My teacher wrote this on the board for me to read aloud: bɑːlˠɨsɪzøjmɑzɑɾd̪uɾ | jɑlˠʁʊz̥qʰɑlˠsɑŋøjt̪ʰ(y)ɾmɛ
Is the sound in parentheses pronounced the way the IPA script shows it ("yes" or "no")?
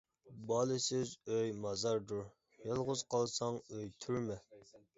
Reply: yes